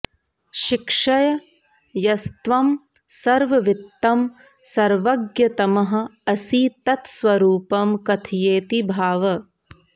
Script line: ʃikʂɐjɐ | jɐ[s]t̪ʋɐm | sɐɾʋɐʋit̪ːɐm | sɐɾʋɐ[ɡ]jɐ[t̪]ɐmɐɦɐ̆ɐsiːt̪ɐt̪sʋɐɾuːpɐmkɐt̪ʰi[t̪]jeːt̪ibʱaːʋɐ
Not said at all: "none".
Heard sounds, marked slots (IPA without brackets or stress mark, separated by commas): s, ɡ, t̪, none